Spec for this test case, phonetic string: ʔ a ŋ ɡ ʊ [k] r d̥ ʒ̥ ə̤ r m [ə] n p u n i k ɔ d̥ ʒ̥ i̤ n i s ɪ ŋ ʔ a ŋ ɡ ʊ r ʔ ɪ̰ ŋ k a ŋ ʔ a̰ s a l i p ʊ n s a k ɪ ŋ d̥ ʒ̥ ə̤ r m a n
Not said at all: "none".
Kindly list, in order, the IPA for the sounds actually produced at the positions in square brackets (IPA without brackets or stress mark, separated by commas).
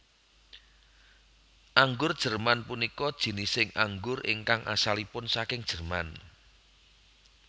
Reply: none, a